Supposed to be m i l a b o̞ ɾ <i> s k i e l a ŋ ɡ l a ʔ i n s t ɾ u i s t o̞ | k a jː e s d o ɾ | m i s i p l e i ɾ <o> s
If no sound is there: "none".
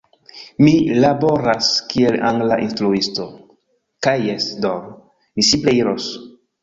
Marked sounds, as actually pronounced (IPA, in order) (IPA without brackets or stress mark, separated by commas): a, o